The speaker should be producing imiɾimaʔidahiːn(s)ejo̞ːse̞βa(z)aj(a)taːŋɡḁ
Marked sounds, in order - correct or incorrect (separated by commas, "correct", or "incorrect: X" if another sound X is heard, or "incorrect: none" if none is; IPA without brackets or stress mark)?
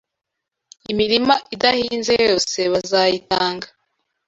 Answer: incorrect: z, correct, incorrect: i